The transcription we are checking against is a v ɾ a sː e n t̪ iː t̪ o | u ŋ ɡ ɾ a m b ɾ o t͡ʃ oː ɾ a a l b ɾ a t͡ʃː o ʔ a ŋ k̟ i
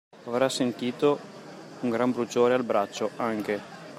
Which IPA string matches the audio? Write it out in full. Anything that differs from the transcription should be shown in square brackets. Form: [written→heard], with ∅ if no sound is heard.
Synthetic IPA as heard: a v ɾ a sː e n t̪ iː t̪ o | u ŋ ɡ ɾ a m b ɾ [o→u] t͡ʃ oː ɾ [a→e] a l b ɾ a t͡ʃː o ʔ a ŋ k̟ [i→e]